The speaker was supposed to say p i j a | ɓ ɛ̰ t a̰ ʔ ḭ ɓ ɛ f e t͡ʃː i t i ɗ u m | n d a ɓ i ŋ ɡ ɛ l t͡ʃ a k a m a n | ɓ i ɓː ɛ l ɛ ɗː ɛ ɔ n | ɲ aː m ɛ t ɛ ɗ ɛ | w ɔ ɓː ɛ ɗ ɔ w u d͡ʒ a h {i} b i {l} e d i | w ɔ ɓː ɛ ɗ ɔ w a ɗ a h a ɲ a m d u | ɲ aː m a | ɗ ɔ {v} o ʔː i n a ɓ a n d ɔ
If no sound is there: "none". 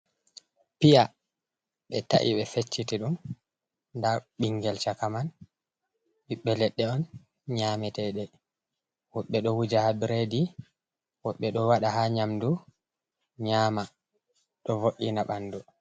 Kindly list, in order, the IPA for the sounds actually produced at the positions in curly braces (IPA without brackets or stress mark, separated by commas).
a, ɾ, v